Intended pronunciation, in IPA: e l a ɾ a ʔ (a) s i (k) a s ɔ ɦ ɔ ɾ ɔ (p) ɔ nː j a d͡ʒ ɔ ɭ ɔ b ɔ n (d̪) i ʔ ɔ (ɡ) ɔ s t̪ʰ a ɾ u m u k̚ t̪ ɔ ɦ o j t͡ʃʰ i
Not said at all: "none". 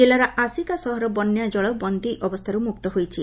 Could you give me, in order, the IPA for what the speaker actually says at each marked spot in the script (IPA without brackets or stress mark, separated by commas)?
a, k, b, d̪, b